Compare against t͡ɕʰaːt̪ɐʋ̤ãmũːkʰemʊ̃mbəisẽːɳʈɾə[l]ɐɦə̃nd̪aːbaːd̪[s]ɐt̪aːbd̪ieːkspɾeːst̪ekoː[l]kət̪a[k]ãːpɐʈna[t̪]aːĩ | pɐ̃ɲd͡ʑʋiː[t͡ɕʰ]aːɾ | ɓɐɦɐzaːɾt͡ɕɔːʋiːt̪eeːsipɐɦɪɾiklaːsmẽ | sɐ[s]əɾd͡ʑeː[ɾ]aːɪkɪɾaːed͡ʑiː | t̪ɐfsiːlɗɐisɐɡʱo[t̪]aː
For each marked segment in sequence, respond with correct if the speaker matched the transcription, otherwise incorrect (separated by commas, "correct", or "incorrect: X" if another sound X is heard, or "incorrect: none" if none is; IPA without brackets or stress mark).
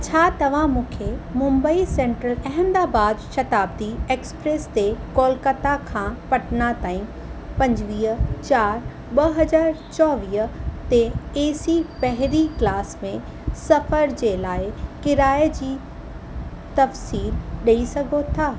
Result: correct, incorrect: ʃ, correct, incorrect: kʰ, correct, incorrect: t͡ɕ, incorrect: f, incorrect: l, incorrect: t̪ʰ